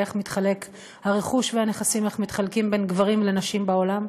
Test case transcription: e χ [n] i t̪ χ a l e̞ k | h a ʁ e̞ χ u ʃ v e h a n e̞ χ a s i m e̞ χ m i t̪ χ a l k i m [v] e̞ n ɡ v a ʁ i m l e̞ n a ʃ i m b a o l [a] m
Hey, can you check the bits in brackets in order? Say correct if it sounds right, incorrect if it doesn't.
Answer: incorrect: m, incorrect: b, correct

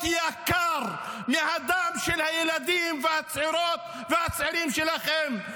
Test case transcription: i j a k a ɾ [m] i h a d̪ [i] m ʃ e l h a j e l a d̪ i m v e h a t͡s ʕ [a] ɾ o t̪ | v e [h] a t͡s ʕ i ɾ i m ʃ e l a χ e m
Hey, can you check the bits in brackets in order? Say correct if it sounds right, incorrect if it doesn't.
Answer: correct, incorrect: a, incorrect: i, correct

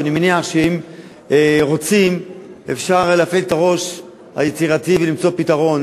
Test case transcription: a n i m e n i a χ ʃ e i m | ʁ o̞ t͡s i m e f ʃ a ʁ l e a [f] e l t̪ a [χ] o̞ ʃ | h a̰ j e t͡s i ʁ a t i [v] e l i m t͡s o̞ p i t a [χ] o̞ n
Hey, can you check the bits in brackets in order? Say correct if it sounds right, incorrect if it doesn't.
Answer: correct, incorrect: ʁ, correct, incorrect: ʁ

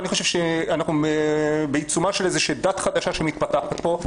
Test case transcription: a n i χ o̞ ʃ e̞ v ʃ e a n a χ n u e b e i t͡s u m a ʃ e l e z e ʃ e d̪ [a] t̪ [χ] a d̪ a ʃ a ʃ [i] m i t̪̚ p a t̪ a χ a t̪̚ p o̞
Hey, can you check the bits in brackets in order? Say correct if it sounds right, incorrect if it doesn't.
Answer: correct, correct, incorrect: e

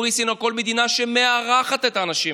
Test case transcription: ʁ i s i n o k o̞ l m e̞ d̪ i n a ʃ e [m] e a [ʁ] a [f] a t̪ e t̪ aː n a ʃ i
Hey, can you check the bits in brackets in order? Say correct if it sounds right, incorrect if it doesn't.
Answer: correct, correct, incorrect: χ

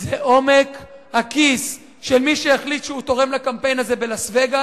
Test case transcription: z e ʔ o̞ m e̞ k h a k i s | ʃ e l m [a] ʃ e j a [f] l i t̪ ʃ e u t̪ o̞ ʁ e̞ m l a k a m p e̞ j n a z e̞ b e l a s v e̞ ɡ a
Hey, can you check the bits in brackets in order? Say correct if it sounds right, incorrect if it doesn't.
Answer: incorrect: i, incorrect: χ

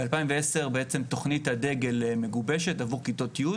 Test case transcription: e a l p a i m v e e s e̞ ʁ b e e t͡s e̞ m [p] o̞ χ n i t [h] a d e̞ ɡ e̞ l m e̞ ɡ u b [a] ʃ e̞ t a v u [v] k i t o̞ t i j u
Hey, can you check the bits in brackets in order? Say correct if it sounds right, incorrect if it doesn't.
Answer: incorrect: t, correct, incorrect: e, incorrect: ʁ

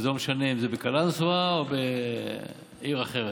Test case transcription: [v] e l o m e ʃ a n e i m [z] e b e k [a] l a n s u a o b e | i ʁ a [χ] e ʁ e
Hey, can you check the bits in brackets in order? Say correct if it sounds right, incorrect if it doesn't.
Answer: incorrect: z, correct, correct, correct

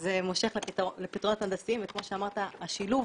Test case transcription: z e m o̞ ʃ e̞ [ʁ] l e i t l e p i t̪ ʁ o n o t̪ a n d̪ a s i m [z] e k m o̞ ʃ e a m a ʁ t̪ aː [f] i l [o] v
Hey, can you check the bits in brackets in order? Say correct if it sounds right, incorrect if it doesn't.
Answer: incorrect: χ, incorrect: v, incorrect: ʃ, incorrect: u

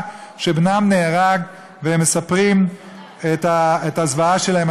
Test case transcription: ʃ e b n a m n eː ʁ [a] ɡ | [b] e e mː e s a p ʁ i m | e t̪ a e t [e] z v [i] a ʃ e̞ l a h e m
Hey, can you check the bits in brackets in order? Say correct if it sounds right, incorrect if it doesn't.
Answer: correct, incorrect: v, incorrect: a, incorrect: a

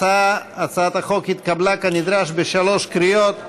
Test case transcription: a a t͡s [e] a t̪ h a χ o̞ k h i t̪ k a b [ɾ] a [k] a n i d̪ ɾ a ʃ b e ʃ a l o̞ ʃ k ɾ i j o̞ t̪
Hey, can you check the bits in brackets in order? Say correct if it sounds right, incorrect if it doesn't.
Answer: incorrect: a, incorrect: l, correct

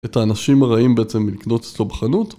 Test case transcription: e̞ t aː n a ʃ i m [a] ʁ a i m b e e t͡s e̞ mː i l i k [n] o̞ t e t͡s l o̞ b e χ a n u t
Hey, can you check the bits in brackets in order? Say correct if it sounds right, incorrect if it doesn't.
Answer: correct, correct

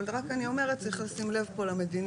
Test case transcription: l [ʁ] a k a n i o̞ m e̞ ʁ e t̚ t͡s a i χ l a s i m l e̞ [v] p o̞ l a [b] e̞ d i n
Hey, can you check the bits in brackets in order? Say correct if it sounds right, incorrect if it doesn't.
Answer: correct, correct, incorrect: m

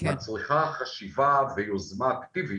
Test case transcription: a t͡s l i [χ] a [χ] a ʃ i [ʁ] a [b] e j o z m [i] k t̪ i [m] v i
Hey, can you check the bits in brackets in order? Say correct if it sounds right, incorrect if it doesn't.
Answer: correct, correct, incorrect: v, incorrect: v, incorrect: a, incorrect: none

